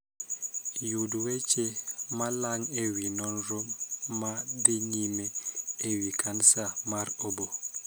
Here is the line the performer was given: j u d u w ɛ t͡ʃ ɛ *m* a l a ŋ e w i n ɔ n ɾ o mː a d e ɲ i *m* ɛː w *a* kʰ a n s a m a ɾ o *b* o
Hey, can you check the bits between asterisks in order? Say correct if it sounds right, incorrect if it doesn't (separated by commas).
correct, correct, incorrect, correct